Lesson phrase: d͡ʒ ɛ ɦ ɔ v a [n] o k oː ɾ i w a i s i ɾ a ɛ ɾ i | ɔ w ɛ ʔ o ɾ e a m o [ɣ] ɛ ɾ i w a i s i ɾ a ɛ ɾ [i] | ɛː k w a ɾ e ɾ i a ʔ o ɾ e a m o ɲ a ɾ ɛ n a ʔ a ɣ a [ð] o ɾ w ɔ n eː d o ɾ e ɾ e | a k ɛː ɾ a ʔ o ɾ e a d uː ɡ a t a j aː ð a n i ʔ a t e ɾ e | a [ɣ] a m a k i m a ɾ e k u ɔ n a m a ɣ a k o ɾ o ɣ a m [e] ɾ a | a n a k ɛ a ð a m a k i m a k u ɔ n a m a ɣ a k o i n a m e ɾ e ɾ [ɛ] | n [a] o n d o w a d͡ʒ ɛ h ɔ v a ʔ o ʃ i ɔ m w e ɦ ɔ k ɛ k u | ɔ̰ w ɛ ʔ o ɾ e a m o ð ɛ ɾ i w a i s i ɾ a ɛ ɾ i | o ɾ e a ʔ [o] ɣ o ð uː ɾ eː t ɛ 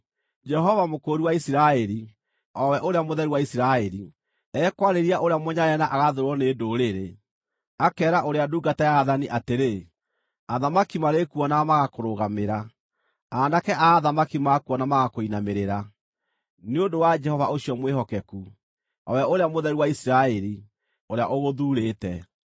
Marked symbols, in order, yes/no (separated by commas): no, no, yes, yes, no, yes, no, no, yes